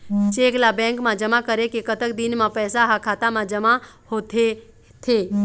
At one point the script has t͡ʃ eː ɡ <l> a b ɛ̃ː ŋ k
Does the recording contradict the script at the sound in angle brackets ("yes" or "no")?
no